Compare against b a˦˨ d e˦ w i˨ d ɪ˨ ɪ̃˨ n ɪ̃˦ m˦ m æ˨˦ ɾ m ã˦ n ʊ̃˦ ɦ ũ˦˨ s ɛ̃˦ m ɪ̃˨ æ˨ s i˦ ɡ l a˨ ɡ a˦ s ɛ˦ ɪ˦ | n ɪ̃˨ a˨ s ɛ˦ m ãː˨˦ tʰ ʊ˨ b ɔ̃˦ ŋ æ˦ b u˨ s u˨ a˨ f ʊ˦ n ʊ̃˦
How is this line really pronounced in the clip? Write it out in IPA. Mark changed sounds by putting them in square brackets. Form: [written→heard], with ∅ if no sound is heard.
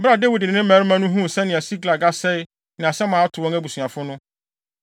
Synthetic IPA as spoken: b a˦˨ d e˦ w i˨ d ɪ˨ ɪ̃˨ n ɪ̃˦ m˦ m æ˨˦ ɾ m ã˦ n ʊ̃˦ ɦ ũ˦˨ s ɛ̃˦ [m→n] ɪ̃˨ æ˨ s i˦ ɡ l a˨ ɡ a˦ s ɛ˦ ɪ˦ | n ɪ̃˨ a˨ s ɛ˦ m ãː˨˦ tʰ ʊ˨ [b→w] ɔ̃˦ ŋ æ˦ b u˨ s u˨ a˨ f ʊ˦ n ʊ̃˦